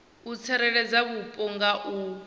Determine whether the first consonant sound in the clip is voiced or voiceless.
voiceless